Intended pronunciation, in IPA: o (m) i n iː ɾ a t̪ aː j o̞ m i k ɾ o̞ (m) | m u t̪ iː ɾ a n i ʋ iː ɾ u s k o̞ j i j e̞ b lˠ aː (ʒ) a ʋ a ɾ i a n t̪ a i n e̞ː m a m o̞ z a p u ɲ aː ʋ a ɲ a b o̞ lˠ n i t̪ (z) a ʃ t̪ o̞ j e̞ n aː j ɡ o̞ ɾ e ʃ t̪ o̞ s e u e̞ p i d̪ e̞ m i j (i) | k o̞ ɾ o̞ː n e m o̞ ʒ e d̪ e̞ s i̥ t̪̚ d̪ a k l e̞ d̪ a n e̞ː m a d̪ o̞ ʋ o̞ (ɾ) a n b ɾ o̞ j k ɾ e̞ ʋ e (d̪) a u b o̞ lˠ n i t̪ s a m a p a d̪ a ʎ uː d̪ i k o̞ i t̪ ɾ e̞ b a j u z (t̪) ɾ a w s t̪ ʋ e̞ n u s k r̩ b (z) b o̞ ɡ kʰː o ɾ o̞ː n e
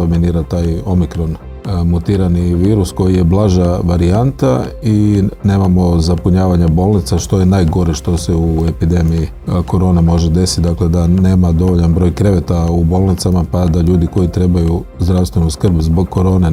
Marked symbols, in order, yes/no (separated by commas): yes, no, yes, no, yes, no, no, no, yes